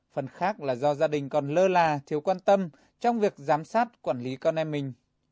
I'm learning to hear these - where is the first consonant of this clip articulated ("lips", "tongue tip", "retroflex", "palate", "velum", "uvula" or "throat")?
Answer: lips